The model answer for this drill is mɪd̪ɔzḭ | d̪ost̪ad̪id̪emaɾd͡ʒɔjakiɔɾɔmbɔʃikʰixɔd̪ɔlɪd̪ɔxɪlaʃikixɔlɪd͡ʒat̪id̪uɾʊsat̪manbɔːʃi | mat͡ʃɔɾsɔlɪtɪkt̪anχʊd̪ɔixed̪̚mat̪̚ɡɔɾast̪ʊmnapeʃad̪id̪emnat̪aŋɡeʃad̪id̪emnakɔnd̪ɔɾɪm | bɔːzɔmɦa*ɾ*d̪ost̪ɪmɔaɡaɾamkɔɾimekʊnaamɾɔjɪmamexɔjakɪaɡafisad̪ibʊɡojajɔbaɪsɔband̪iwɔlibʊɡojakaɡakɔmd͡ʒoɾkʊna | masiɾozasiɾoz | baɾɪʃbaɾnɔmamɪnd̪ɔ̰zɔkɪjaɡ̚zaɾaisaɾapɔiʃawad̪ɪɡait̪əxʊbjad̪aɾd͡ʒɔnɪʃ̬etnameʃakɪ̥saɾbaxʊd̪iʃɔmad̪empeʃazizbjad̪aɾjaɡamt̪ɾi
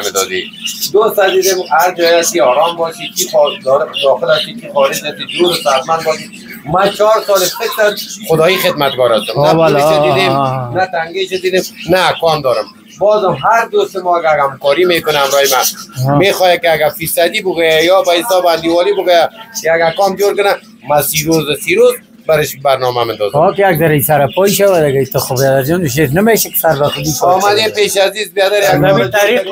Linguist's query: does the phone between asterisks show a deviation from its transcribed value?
no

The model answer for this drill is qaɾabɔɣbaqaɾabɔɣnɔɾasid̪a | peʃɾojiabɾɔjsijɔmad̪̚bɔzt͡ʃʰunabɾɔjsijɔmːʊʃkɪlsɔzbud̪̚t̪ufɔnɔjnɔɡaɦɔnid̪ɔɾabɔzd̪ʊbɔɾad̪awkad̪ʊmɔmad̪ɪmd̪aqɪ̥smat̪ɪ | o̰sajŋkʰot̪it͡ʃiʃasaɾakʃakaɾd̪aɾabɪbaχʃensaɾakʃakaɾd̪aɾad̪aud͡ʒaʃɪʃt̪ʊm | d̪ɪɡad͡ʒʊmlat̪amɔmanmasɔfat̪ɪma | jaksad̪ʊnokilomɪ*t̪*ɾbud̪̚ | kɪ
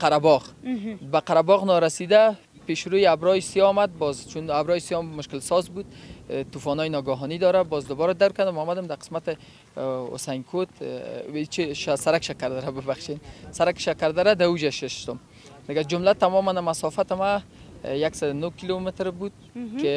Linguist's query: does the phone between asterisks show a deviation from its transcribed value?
no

